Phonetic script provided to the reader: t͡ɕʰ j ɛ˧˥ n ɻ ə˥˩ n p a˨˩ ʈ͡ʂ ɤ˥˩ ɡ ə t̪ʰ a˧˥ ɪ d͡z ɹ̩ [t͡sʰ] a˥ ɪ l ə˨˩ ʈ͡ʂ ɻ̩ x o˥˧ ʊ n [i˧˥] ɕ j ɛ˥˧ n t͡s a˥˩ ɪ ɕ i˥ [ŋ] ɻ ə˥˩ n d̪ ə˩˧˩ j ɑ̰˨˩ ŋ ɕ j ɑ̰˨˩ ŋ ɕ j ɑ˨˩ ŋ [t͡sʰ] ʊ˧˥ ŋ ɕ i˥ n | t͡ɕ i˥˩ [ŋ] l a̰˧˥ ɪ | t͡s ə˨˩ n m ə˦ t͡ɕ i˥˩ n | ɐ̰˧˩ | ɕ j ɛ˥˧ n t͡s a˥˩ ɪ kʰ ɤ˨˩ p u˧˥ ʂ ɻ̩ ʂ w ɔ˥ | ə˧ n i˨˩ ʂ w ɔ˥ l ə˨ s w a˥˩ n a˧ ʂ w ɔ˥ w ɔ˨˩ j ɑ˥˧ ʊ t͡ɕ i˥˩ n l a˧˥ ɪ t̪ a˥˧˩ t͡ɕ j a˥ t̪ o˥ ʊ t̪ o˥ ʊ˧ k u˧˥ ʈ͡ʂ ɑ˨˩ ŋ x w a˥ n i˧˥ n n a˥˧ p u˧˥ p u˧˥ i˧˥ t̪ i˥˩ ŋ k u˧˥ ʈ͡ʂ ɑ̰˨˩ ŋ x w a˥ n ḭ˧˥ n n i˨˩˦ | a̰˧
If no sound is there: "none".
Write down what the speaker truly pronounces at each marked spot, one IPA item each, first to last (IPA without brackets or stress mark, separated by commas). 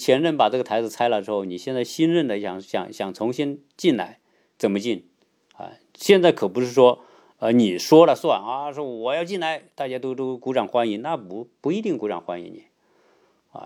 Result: t͡sʰ, i˨˩, n, t͡sʰ, n